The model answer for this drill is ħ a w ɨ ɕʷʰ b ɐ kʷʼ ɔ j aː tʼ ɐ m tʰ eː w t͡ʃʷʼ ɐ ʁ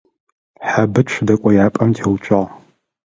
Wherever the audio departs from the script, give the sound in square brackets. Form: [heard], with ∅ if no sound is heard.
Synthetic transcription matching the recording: ħ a [b] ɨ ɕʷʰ [d] ɐ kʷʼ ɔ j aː [pʼ] ɐ m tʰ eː w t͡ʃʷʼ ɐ ʁ